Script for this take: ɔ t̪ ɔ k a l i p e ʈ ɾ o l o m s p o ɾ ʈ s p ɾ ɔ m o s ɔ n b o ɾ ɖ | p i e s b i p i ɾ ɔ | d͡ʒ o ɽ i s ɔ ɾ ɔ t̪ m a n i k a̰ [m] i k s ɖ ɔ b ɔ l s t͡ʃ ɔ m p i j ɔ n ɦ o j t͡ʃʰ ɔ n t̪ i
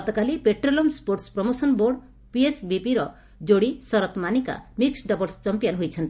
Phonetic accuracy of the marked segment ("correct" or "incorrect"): correct